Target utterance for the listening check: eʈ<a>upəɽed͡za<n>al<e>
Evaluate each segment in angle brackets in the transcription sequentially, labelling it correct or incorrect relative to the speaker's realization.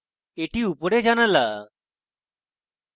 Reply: incorrect: i, correct, incorrect: a

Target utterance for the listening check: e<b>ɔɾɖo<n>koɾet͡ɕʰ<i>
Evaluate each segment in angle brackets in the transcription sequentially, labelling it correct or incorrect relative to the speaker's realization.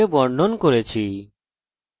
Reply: correct, correct, correct

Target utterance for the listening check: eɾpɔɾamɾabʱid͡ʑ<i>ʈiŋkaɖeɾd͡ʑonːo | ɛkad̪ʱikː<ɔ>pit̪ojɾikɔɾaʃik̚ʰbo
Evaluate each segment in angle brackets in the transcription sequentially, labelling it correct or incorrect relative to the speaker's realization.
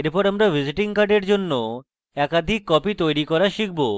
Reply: correct, correct

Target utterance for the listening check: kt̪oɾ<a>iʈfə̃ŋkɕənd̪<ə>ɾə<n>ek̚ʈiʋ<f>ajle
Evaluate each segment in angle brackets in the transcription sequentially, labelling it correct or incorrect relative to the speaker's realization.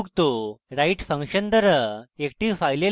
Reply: correct, correct, incorrect: none, correct

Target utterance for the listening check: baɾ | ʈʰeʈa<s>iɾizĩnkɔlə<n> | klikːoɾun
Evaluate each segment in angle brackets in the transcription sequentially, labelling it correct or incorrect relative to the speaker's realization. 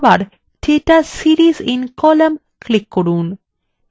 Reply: correct, incorrect: m

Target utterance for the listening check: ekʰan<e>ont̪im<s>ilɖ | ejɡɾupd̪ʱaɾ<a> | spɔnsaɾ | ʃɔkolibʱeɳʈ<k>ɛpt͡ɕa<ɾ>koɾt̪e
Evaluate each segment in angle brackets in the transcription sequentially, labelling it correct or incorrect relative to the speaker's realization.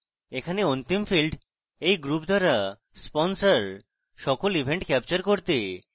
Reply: correct, incorrect: f, correct, correct, correct

